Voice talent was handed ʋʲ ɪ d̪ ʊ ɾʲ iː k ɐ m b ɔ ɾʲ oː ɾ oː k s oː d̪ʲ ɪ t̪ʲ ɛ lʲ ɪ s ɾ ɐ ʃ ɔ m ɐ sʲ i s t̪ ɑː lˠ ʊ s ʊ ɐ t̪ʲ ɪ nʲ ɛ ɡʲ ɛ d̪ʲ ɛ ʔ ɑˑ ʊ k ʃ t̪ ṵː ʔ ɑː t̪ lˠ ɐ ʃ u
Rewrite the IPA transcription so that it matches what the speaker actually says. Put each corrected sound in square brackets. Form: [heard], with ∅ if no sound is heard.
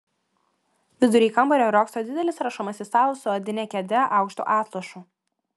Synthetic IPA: ʋʲ ɪ d̪ ʊ ɾʲ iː k ɐ m b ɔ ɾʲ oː ɾ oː k s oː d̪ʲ ɪ [d̪ʲ] ɛ lʲ ɪ s ɾ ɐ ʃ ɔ m ɐ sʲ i s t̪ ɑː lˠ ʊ s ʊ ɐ [d̪ʲ] ɪ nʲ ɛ [kʲ] ɛ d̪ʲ ɛ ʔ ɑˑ ʊ k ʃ t̪ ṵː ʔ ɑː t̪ lˠ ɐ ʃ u